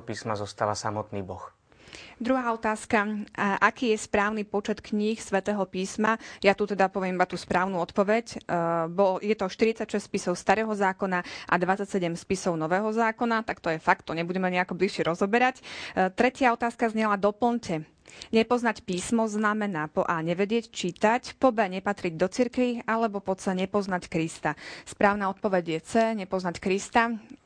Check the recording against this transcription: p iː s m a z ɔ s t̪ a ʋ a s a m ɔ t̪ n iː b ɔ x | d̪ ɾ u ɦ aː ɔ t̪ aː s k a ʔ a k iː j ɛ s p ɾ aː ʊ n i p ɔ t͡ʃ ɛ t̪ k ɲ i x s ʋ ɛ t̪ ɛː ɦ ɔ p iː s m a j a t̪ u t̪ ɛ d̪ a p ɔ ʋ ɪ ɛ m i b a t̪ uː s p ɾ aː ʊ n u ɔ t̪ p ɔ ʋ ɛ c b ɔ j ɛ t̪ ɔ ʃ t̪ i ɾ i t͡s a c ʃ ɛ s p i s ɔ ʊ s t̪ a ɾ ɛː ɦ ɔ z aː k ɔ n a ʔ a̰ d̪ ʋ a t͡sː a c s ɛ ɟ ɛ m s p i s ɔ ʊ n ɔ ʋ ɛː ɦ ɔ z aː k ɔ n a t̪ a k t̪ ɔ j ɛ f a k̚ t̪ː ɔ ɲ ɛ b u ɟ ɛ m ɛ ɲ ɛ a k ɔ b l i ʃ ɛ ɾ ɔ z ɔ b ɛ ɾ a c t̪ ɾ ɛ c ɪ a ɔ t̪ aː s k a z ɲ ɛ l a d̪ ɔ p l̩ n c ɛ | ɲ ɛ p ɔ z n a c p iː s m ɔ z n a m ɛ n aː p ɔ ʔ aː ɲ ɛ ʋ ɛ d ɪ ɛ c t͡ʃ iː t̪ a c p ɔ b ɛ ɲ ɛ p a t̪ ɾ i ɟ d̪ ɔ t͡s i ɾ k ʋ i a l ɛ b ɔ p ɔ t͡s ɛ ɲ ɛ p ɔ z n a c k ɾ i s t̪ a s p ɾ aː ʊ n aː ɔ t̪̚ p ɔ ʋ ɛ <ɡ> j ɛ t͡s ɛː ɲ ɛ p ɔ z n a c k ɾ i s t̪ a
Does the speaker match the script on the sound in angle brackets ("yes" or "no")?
no